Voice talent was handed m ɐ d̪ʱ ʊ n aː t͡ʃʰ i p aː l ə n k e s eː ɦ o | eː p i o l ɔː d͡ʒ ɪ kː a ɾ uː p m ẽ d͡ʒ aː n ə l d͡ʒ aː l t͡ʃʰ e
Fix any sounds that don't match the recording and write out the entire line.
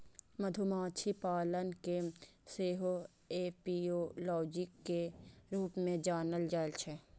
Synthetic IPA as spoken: m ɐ d̪ʱ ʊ m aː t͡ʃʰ i p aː l ə n k e s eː ɦ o | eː p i o l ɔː d͡ʒ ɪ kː e ɾ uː p m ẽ d͡ʒ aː n ə l d͡ʒ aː l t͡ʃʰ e